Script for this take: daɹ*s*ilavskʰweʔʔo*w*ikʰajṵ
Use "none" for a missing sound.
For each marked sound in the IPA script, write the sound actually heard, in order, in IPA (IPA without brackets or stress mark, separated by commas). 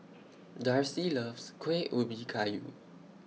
s, b